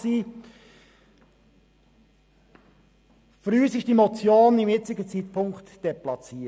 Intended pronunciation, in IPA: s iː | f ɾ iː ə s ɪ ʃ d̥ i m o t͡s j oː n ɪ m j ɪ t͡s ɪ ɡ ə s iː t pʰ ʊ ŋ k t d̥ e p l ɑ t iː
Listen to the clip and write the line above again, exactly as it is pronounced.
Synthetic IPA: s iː | f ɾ yː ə s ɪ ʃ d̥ i m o t͡s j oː n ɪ m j ɪ t͡s ɪ ɡ ə t͡s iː t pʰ ʊ ŋ k t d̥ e p l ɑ t͡s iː

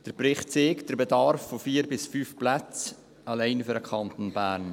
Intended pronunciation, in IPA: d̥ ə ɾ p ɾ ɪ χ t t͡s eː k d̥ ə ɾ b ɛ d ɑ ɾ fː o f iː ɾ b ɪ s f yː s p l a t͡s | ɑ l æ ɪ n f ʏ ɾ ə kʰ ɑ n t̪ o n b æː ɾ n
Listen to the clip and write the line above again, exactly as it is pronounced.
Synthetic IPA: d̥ ə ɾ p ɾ ɪ χ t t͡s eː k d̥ ə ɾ b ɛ d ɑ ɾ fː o f iː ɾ b ɪ s f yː f p l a t͡s | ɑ l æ ɪ n f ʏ ɾ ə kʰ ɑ n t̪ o n b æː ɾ n

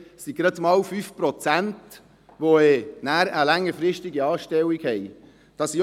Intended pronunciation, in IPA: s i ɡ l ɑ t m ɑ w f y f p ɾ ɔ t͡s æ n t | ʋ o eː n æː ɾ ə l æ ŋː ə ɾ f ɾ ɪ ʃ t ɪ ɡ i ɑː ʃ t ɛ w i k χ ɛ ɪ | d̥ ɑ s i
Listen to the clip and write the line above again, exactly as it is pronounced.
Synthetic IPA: s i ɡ ɾ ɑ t m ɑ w f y f p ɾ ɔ t͡s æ n t | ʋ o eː n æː ɾ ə l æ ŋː ə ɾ f ɾ ɪ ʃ t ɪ ɡ i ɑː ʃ t ɛ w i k h ɛ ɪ | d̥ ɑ s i

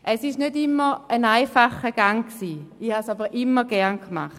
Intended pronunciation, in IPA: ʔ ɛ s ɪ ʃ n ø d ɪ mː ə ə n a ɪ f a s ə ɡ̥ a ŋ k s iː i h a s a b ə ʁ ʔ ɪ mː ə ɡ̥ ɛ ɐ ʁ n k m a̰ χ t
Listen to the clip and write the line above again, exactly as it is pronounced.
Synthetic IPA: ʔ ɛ s ɪ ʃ n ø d ɪ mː ə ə n a ɪ f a χ ə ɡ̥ a ŋ k s iː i h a s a b ə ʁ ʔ ɪ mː ə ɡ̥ ɛ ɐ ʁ n k m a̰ χ t

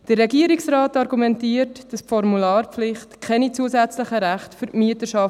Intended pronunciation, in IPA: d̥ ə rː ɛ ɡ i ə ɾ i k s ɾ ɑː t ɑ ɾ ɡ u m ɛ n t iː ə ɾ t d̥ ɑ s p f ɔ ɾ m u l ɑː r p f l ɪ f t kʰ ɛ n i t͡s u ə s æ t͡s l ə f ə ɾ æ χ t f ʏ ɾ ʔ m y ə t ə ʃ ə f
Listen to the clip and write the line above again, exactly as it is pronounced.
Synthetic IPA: d̥ ə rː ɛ ɡ i ə ɾ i k s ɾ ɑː t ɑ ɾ ɡ u m ɛ n t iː ə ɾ t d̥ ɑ s p f ɔ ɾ m u l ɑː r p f l ɪ χ t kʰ ɛ n i t͡s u ə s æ t͡s l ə χ ə ɾ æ χ t f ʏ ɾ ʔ m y ə t ə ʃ ɑ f

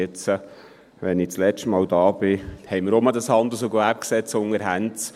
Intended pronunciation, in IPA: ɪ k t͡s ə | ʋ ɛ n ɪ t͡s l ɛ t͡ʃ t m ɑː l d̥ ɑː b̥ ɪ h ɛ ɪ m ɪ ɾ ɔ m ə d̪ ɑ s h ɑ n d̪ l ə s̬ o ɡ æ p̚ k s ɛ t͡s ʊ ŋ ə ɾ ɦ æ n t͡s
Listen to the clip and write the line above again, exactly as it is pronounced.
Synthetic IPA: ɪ t͡s ə | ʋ ɛ n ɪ t͡s l ɛ t͡ʃ t m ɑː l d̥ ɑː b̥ ɪ h ɛ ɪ m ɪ ɾ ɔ m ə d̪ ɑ s h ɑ n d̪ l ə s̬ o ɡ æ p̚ k s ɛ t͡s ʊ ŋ ə ɾ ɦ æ n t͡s

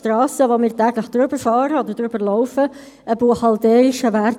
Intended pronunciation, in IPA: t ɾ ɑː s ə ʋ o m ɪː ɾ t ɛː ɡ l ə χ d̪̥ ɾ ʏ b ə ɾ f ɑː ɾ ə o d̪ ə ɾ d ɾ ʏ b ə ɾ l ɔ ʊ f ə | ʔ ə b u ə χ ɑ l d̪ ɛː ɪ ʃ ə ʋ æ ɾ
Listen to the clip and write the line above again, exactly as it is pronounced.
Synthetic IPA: t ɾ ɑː s ə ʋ o m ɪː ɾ t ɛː ɡ l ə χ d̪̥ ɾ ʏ b ə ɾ f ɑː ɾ ə o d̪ ə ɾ d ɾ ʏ b ə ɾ l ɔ ʊ f ə | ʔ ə b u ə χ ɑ l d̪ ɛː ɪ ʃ ə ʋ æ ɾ

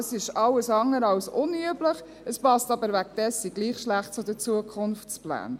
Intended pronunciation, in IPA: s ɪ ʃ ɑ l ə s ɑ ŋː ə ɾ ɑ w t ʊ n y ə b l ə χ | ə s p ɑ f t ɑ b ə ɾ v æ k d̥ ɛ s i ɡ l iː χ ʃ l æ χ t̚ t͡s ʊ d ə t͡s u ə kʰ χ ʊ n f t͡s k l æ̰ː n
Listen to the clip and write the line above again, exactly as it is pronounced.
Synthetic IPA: s ɪ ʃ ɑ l ə s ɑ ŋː ə ɾ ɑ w s ʊ n y ə b l ə χ | ə s p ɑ s t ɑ b ə ɾ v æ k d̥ ɛ s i ɡ l iː χ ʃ l æ χ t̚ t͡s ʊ d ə t͡s u ə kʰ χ ʊ n f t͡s p l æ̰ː n

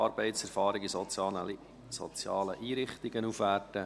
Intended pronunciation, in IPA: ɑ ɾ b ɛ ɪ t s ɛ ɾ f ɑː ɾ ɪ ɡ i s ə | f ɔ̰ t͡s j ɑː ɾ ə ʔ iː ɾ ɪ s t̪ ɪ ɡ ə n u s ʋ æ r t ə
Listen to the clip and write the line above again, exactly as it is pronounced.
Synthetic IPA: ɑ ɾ b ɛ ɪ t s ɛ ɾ f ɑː ɾ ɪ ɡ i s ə | s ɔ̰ t͡s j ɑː l ə ʔ iː ɾ ɪ χ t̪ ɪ ɡ ə n u f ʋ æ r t ə

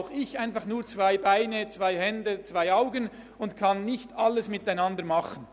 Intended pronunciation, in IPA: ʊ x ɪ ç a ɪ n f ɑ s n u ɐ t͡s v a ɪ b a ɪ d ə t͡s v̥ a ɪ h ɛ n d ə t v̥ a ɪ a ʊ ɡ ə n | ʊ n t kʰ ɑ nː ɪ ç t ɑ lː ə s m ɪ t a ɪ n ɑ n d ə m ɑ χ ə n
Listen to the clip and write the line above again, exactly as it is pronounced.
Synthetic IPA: ʊ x ɪ ç a ɪ n f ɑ χ n uː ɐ t͡s v a ɪ b a ɪ n ə t͡s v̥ a ɪ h ɛ n d ə t͡s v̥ a ɪ a ʊ ɡ ə n | ʊ n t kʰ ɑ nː ɪ ç t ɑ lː ə s m ɪ t a ɪ n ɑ n d ə m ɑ χ ə n

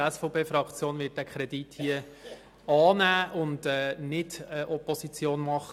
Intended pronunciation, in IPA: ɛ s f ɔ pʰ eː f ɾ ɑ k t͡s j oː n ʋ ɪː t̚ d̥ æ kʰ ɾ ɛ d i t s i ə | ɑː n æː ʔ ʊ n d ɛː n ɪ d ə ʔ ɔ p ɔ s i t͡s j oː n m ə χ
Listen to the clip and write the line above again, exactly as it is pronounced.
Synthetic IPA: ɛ s f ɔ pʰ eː f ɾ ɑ k t͡s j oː n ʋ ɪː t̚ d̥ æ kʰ ɾ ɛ d i t h i ə | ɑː n æː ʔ ʊ n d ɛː n ɪ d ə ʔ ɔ p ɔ s i t͡s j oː n m ɑ χ

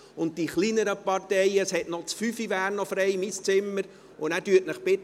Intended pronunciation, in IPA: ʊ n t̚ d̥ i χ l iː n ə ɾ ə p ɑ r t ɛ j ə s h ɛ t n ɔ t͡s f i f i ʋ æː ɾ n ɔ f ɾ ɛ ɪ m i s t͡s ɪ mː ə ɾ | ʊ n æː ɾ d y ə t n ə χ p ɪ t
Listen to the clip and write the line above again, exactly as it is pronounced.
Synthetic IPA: ʊ n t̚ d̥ i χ l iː n ə ɾ ə p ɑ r t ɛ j ə s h ɛ t n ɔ t͡s f y f i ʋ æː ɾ n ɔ f ɾ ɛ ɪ m i s t͡s ɪ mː ə ɾ | ʊ n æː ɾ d y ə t n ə χ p ɪ t

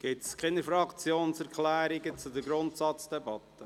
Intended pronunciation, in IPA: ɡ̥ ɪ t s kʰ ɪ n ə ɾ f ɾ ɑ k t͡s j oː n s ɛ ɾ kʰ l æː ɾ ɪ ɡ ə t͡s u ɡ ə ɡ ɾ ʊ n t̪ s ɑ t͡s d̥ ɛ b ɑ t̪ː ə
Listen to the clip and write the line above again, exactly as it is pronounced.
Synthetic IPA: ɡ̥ ɪ t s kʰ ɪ n ə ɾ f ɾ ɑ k t͡s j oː n s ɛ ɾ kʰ l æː ɾ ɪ ɡ ə t͡s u d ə ɡ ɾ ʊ n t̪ s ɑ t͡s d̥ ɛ b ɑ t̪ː ə

